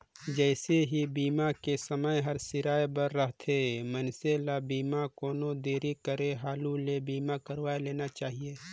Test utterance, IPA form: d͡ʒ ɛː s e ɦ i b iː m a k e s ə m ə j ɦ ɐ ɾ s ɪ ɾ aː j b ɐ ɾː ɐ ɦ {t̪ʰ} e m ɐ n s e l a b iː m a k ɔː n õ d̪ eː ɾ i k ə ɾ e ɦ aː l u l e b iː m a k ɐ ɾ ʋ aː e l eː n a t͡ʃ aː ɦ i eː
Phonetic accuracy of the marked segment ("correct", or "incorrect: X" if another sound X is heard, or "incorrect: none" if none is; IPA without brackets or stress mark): correct